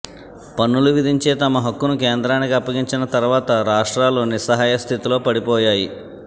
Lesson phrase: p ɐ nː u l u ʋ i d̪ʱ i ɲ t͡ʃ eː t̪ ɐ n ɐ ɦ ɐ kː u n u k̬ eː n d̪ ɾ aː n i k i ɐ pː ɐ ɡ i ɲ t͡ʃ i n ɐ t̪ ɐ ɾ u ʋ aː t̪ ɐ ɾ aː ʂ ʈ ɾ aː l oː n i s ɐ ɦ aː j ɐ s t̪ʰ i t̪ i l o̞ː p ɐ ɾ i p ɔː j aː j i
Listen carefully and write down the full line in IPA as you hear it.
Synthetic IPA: p ɐ nː u l u ʋ i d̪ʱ i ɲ t͡ʃ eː t̪ ɐ m ɐ ɦ ɐ kː u n u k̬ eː n d̪ ɾ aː n i k i ɐ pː ɐ ɡ i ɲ t͡ʃ i n ɐ t̪ ɐ ɾ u ʋ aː t̪ ɐ ɾ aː ʂ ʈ ɾ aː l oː n i s ɐ ɦ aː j ɐ s t̪ʰ i t̪ i l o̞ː p ɐ ɽ i p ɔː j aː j i